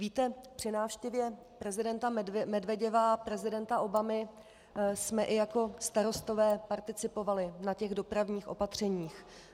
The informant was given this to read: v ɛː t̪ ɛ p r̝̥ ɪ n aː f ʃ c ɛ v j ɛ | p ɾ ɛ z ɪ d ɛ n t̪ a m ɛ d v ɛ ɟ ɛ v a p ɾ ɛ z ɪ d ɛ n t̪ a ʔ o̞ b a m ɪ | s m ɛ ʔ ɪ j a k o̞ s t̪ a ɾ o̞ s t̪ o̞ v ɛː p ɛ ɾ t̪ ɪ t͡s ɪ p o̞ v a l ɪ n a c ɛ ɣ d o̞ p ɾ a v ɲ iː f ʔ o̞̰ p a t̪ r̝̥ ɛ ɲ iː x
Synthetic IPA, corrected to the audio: v iː t̪ ɛ p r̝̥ ɪ n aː f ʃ c ɛ v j ɛ | p ɾ ɛ z ɪ d ɛ n t̪ a m ɛ d v ɛ ɟ ɛ v a p ɾ ɛ z ɪ d ɛ n t̪ a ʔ o̞ b a m ɪ | s m ɛ ʔ ɪ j a k o̞ s t̪ a ɾ o̞ s t̪ o̞ v ɛː p a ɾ t̪ ɪ t͡s ɪ p o̞ v a l ɪ n a c ɛ ɣ d o̞ p ɾ a v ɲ iː x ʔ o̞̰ p a t̪ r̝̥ ɛ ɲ iː x